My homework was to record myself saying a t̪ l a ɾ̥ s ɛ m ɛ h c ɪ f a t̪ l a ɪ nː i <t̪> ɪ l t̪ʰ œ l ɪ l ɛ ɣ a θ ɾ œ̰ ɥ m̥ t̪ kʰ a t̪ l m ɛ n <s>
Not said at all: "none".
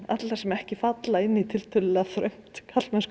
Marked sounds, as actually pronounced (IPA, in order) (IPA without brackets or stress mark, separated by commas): t̪ʰ, s